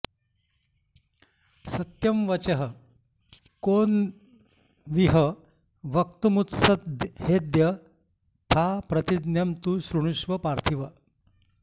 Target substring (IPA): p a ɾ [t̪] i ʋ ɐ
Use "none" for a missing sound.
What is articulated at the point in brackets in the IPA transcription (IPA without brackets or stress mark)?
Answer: t̪ʰ